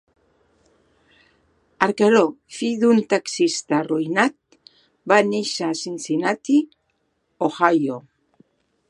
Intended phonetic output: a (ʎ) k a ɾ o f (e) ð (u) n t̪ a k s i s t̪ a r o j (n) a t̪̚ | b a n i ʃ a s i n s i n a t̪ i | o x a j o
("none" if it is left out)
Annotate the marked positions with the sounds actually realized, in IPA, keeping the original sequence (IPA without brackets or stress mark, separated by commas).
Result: ɾ, i, u, n